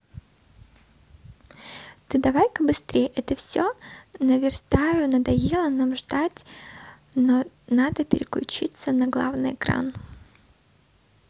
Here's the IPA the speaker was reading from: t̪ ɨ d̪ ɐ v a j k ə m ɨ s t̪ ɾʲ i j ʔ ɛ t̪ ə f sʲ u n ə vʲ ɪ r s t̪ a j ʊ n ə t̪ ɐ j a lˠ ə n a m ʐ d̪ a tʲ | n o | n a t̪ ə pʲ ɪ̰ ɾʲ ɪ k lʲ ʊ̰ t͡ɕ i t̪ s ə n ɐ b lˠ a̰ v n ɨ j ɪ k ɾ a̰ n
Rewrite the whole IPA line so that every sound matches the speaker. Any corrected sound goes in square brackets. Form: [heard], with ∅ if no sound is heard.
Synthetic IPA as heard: t̪ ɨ d̪ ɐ v a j k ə [b] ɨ s t̪ ɾʲ [e] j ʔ ɛ t̪ ə f sʲ [o] n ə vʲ ɪ r s t̪ a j ʊ n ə [d̪] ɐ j [e] lˠ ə n a m ʐ d̪ a tʲ | n o | n a [d̪] ə pʲ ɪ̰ ɾʲ ɪ k lʲ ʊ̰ t͡ɕ i t̪ s ə n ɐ [ɡ] lˠ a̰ v n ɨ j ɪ k ɾ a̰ n